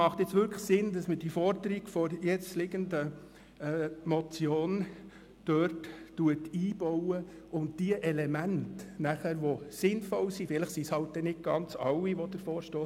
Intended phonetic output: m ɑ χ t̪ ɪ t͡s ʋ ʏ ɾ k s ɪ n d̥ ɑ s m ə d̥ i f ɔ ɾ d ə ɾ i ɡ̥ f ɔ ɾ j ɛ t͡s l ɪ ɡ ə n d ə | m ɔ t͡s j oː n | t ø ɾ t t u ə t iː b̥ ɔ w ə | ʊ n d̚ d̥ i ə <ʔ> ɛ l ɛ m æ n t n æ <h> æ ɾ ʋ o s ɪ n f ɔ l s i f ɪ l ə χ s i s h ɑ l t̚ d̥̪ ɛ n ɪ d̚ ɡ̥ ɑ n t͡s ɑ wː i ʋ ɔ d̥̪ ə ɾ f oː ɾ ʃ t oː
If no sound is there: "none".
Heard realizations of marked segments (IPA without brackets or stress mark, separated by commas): ʔ, χ